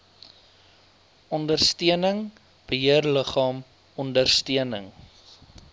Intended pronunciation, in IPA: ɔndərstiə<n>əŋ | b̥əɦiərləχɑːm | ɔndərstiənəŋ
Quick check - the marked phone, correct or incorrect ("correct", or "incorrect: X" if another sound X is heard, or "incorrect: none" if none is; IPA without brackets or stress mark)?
correct